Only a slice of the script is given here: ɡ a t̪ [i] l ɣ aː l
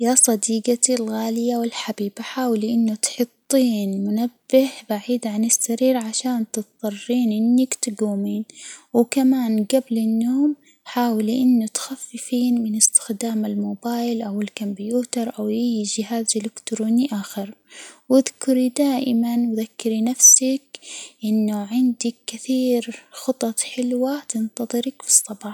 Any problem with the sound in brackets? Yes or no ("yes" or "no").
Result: no